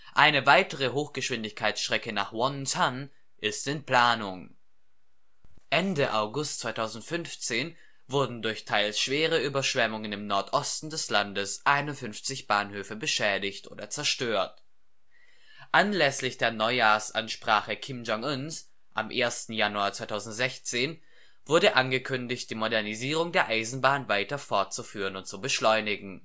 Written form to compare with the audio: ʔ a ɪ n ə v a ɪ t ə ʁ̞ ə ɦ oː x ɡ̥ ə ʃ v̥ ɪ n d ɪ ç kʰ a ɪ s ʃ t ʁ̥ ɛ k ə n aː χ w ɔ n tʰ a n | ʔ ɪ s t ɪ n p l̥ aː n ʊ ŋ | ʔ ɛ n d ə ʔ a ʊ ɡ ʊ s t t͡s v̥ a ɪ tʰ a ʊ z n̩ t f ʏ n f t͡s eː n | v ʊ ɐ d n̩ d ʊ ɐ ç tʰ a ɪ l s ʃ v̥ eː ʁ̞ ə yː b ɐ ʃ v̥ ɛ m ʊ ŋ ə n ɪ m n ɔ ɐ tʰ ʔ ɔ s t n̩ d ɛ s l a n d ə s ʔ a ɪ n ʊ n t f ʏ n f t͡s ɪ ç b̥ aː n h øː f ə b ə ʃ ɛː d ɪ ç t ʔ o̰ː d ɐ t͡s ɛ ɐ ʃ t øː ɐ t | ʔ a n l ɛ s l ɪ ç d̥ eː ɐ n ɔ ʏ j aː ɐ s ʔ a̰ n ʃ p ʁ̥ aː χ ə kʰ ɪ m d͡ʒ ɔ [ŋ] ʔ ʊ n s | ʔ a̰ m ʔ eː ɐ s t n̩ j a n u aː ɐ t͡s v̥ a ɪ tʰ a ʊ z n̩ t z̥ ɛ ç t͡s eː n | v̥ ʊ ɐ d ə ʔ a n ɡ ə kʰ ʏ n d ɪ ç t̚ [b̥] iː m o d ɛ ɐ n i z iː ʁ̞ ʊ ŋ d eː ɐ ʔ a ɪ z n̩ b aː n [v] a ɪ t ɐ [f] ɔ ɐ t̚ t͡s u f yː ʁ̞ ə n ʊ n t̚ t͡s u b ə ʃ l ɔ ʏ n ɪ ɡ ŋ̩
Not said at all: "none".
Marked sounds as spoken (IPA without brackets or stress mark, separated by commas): ŋ, d̥, v, f